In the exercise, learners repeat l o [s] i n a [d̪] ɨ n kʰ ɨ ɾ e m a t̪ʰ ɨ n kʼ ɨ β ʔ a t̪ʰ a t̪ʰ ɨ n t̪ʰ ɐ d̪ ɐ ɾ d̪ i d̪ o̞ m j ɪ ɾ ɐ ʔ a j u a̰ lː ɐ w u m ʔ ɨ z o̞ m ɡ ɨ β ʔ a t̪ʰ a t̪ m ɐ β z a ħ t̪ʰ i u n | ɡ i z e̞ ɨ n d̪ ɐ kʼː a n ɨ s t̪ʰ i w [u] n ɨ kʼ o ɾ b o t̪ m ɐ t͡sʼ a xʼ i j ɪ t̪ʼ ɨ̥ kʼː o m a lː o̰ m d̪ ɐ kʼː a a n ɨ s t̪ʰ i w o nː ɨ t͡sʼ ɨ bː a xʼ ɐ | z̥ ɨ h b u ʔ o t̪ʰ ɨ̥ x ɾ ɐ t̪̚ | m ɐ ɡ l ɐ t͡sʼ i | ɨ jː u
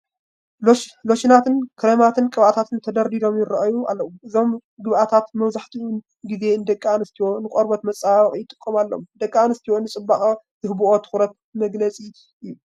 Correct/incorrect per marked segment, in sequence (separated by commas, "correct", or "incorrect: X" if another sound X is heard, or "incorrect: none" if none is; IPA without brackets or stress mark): incorrect: ʃ, incorrect: t̪, incorrect: o